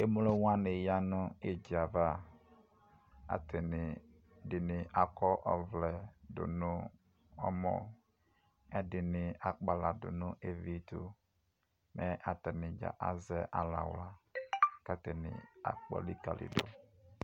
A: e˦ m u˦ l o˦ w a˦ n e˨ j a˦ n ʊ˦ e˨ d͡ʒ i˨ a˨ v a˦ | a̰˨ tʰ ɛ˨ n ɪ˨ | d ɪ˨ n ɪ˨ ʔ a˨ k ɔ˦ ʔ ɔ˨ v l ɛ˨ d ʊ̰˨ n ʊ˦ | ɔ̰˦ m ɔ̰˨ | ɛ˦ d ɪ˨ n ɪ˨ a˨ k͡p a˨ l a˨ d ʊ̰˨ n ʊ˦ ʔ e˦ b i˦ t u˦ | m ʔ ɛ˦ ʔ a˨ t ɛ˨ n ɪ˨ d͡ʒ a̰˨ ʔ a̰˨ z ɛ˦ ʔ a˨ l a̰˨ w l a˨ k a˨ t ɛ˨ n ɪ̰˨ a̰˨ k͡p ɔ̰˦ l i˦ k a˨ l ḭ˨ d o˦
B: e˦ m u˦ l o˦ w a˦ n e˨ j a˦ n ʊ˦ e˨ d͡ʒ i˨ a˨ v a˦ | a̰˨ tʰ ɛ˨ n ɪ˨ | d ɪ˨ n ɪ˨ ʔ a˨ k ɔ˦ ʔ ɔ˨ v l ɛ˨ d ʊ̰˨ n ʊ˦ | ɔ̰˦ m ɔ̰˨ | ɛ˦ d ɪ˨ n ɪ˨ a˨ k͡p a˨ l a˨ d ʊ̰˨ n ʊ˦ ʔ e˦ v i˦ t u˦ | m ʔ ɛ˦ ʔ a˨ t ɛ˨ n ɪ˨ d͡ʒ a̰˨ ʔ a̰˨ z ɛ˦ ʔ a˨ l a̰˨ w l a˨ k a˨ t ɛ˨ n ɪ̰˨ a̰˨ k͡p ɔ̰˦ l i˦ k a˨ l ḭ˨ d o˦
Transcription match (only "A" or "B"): B